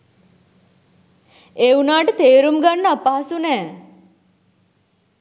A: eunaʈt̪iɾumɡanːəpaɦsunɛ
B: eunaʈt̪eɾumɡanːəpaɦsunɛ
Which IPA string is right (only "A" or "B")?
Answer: B